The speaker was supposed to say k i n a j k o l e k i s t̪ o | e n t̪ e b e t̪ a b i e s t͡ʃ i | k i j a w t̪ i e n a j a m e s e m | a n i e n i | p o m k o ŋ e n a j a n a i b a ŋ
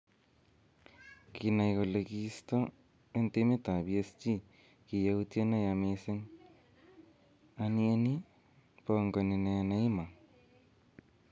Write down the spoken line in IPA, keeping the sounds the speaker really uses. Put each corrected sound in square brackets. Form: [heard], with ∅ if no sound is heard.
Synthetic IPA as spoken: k i n a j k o l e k i s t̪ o | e n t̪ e [m] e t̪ a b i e s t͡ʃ i | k i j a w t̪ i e n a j a m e s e [ŋ] | a n i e n i | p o [ŋ] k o [n] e n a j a n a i [m] a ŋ

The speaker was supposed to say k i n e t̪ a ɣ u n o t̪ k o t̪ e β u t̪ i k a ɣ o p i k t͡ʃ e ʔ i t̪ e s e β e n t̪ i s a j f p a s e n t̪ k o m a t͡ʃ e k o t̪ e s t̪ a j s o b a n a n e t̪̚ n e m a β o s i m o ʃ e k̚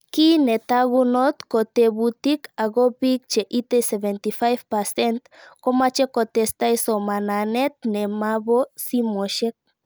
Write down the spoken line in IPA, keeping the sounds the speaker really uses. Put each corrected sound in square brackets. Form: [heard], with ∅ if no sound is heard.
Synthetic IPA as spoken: k i n e t̪ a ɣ u n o t̪ k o t̪ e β u t̪ i k a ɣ o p i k t͡ʃ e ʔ i t̪ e s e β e n t̪ i [f] a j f p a s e n t̪ k o m a t͡ʃ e k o t̪ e s t̪ a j s o [m] a n a n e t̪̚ n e m a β o s i m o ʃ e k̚

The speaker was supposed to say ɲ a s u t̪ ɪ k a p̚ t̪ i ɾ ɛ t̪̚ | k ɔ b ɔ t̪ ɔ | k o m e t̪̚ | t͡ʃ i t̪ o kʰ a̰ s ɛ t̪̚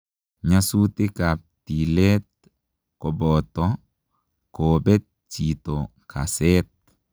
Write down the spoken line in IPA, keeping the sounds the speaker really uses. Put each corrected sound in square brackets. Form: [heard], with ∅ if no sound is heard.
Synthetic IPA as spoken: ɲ a s u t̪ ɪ k a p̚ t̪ i [l] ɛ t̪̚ | k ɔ b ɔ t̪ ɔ | k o [b] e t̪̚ | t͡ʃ i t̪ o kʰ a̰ s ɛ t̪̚

